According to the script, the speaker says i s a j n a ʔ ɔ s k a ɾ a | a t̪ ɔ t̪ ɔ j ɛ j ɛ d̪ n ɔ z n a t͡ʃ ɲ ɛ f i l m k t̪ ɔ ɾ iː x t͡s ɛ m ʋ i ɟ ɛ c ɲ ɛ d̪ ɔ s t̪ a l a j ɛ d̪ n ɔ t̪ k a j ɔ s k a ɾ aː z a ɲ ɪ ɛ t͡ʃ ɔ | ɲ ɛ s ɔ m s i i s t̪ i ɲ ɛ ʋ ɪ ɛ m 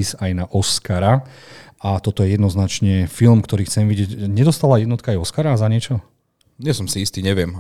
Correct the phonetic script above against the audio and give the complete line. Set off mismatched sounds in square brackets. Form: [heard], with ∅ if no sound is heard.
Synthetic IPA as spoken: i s a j n a ʔ ɔ s k a ɾ a | a t̪ ɔ t̪ ɔ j ɛ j ɛ d̪ n ɔ z n a t͡ʃ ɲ ɛ f i l m k t̪ ɔ ɾ iː x t͡s ɛ m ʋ i ɟ ɛ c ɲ ɛ d̪ ɔ s t̪ a l a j ɛ d̪ n ɔ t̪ k a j ɔ s k a ɾ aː z a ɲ ɪ ɛ t͡ʃ ɔ | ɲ ɛ s ɔ m s i i s t̪ i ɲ ɛ ʋ ɪ ɛ m